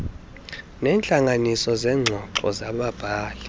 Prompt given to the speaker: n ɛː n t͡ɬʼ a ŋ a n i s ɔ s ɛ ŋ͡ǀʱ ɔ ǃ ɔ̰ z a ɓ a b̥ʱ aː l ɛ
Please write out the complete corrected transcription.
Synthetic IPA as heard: n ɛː n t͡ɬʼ a ŋ a n i s ɔ z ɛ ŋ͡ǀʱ ɔ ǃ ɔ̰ z a ɓ a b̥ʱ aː l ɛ